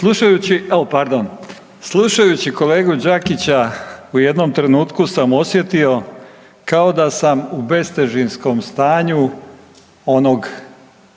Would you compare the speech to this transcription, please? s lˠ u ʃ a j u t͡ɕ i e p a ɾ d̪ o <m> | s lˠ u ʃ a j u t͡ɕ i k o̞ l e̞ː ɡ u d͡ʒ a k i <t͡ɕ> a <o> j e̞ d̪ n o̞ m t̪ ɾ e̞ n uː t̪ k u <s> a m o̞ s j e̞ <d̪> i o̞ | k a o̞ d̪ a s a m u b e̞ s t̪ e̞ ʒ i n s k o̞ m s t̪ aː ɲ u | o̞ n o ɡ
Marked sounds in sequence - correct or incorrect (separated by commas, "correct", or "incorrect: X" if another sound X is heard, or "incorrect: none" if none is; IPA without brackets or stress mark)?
incorrect: n, correct, incorrect: u, correct, incorrect: t̪